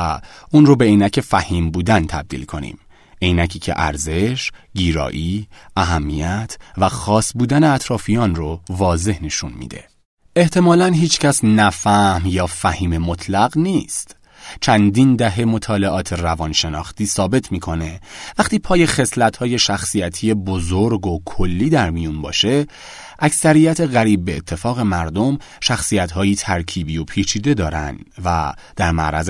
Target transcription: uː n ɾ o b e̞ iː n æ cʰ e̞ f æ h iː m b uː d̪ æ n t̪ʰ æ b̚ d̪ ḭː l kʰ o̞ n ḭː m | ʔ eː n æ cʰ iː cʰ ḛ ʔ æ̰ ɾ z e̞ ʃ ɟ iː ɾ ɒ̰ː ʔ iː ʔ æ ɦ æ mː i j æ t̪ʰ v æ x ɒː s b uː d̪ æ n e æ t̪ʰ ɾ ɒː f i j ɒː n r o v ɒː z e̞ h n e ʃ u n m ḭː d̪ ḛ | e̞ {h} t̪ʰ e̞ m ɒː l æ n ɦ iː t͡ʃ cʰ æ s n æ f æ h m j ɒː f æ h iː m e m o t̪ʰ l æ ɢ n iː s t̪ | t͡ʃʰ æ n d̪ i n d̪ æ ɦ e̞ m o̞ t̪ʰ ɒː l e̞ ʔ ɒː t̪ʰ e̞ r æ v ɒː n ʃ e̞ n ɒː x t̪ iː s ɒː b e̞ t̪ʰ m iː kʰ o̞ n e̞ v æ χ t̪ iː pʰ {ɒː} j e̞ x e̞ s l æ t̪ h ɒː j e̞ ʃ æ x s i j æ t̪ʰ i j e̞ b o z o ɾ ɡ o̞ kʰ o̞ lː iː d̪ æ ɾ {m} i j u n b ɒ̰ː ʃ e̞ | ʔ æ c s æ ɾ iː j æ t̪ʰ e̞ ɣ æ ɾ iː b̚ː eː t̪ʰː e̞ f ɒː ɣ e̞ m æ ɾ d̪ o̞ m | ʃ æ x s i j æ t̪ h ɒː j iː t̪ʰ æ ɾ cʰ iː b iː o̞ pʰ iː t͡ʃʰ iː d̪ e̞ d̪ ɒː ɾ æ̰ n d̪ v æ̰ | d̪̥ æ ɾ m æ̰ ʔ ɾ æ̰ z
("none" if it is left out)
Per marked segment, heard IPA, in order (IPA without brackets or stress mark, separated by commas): h, ɒː, m